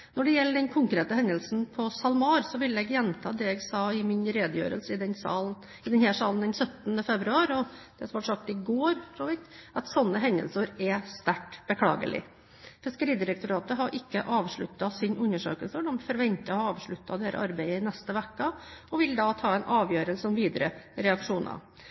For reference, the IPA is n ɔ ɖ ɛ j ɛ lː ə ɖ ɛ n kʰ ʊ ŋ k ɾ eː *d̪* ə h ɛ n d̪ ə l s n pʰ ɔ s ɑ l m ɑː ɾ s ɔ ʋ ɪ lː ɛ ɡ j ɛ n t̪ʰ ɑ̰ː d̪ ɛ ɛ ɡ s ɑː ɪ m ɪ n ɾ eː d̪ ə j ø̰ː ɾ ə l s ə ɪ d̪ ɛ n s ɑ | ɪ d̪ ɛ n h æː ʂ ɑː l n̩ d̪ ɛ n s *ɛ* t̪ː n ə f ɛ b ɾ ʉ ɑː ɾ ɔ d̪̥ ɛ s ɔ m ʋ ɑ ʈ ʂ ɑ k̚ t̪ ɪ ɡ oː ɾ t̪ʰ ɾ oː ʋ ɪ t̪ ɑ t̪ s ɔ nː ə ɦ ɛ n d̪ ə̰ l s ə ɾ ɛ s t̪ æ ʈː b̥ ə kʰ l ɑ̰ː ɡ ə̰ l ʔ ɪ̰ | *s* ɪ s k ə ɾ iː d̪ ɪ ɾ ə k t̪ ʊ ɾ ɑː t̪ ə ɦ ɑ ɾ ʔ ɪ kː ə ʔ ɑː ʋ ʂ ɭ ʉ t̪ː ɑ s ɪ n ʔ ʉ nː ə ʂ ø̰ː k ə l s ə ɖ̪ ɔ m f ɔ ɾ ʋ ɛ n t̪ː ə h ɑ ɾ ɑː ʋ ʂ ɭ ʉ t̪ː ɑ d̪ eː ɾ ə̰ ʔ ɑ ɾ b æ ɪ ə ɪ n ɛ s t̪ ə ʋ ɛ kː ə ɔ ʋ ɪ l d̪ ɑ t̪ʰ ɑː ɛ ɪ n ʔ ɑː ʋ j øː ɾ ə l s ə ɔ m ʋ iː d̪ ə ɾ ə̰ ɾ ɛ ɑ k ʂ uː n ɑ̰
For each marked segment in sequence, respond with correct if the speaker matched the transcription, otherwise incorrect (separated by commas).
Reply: incorrect, incorrect, incorrect